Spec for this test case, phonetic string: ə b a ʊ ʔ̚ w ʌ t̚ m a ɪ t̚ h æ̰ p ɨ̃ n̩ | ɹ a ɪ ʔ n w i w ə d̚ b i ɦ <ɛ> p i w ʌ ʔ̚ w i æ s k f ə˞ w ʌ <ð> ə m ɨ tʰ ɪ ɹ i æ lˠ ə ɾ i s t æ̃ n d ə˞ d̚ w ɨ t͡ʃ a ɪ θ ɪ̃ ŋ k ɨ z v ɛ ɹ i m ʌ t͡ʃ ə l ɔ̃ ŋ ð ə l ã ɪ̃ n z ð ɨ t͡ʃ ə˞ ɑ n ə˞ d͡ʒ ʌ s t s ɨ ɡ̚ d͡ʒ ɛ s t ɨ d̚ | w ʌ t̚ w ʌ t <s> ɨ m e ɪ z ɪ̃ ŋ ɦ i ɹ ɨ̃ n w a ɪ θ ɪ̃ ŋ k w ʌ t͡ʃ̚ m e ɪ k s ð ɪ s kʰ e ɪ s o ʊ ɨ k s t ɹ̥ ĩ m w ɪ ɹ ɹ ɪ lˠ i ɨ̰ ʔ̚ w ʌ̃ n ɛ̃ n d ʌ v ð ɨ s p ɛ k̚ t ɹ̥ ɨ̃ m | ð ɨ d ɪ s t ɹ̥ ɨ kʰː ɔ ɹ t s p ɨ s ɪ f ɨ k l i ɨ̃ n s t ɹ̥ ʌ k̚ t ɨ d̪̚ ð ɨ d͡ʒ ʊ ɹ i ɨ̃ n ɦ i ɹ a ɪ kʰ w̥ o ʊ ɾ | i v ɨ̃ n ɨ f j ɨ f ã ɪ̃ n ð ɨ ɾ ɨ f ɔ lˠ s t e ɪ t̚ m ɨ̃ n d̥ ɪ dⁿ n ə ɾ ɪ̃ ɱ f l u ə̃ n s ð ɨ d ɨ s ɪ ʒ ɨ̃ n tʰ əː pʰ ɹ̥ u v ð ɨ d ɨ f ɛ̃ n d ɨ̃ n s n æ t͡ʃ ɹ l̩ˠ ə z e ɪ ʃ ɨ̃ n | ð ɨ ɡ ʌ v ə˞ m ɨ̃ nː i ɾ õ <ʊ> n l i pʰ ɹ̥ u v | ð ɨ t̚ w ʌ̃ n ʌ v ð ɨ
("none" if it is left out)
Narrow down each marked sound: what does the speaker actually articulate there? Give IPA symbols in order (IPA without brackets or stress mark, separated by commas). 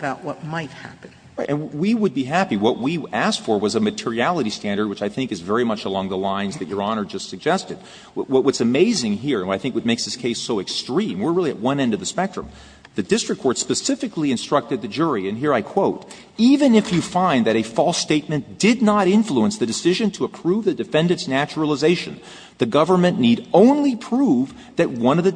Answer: æ, z, s, ʊ̃